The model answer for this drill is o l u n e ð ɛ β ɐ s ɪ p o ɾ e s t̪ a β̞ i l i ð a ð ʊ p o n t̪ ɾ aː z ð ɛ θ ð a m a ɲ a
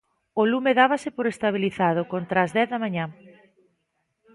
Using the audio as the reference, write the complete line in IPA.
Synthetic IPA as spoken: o l u m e ð a β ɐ s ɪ p o ɾ e s t̪ a β̞ i l i θ a ð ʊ k o n t̪ ɾ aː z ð ɛ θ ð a m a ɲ a